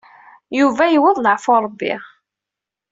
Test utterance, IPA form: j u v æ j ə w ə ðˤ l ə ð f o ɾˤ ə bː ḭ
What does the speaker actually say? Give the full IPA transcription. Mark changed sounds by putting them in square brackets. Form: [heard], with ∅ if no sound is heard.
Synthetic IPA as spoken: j u v æ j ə w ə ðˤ l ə [ʕ] f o ɾˤ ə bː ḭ